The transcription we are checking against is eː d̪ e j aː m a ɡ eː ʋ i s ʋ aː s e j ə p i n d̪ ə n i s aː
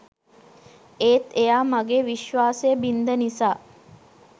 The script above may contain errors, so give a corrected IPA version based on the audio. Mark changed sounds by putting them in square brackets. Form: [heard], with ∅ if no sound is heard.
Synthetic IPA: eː [t̪] e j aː m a ɡ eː ʋ i [ʃ] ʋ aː s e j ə [b] i n d̪ ə n i s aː

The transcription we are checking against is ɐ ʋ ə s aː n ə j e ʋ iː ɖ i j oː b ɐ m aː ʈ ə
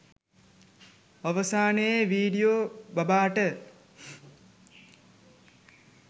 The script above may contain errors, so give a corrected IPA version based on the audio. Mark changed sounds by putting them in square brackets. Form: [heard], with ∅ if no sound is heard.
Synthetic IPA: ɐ ʋ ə s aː n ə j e ʋ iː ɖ i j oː b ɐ [b] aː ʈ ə

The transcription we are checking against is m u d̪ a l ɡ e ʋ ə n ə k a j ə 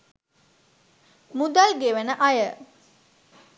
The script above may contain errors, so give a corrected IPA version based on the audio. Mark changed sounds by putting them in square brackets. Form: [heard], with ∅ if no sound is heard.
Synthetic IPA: m u d̪ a l ɡ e ʋ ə n ə [ʔ] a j ə

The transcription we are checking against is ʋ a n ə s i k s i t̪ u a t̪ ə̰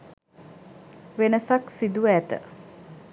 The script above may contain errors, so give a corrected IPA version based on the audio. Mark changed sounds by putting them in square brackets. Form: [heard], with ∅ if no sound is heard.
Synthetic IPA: ʋ [e] n ə s [a] k s i [d̪] u [æ] t̪ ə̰

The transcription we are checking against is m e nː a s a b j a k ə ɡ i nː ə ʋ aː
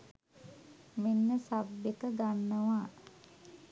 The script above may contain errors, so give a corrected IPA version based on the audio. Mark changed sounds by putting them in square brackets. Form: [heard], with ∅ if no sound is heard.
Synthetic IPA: m e nː [ə] s a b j [e] k ə ɡ [a] nː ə ʋ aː

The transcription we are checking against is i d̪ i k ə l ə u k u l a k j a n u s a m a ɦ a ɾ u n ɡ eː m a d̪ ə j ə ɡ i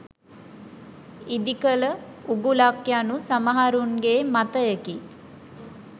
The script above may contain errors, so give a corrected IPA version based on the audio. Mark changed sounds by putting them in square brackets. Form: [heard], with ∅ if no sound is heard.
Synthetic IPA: i d̪ i k ə l ə u [ɡ] u l a k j a n u s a m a ɦ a ɾ u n ɡ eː m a [t̪] ə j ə [k] i

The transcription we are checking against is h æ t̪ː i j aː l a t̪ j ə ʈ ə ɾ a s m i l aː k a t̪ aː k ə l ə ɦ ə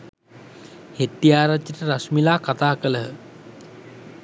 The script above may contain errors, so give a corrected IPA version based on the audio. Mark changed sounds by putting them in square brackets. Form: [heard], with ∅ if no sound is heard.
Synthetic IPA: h [e] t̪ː i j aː [ɾ] a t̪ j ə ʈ ə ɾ a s m i l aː k a t̪ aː k ə l ə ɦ ə

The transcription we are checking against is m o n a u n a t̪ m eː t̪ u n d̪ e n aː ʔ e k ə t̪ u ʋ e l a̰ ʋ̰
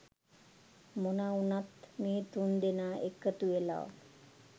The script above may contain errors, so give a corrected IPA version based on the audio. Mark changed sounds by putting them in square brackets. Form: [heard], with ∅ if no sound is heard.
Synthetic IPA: m o n a u n a t̪ m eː t̪ u n d̪ e n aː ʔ e k ə t̪ u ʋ e l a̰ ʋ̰

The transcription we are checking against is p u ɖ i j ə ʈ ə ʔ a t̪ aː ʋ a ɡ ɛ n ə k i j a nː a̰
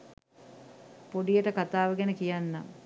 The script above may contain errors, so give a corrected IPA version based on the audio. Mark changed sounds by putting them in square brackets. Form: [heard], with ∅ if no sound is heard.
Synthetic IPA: p [o] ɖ i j ə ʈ ə [k] a t̪ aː ʋ [ə] ɡ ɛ n ə k i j a nː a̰

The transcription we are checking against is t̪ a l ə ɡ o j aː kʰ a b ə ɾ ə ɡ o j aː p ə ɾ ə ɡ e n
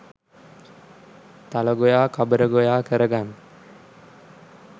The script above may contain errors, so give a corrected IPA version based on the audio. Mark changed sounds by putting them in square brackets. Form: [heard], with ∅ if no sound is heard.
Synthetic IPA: t̪ a l ə ɡ o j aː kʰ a b ə ɾ ə ɡ o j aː [k] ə ɾ ə ɡ [a] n

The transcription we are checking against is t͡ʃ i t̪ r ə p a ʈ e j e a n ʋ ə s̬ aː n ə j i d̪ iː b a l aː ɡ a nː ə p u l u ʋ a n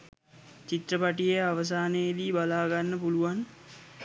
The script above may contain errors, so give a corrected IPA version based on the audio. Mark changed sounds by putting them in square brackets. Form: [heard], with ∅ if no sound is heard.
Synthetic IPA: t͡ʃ i t̪ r ə p a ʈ [i] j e a [∅] ʋ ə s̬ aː n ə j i d̪ iː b a l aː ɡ a nː ə p u l u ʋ a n

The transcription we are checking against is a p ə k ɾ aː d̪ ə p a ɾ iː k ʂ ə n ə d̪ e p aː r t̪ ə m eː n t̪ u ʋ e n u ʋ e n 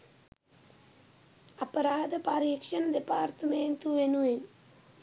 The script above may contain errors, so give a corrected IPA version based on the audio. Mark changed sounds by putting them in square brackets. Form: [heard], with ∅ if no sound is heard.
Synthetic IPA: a p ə [∅] ɾ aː d̪ ə p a ɾ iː k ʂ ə n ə d̪ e p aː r t̪ ə m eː n t̪ u ʋ e n u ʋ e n

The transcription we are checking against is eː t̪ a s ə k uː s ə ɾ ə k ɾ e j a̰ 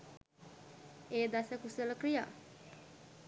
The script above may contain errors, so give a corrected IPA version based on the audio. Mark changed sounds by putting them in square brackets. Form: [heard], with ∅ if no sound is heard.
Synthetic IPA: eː [d̪] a s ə k [u] s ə [l] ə k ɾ [i] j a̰

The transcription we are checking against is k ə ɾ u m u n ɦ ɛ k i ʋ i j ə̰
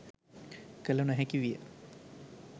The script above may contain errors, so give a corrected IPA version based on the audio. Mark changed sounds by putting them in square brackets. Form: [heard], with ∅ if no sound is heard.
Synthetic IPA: k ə [l] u [n] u [∅] ɦ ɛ k i ʋ i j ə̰

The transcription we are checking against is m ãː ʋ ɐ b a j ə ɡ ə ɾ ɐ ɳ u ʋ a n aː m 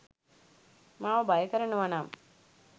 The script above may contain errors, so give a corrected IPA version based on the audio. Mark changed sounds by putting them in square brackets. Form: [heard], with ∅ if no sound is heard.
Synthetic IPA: m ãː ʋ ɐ b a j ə [k] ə ɾ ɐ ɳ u ʋ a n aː m

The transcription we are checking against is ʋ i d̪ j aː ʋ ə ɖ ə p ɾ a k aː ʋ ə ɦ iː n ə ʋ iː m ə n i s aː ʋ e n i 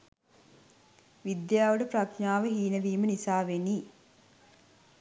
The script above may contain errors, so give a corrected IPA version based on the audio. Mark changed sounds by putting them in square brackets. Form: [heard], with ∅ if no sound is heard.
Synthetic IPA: ʋ i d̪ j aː ʋ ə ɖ ə p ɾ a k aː ʋ ə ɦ iː n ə ʋ iː m ə n i s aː ʋ e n i

